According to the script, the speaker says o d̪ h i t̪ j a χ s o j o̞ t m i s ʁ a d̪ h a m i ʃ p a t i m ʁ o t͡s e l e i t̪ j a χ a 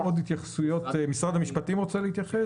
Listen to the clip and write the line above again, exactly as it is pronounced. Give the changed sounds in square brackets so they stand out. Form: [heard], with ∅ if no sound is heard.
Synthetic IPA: o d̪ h i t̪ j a χ s [u] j o̞ t m i s ʁ a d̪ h a m i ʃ p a t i m ʁ o t͡s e l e i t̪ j a χ [e]